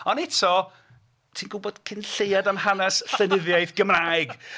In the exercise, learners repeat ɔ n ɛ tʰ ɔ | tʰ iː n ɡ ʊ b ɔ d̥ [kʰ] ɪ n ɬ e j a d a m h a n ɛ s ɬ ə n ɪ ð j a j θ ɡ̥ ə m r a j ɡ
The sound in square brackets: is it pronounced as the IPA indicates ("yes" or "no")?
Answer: yes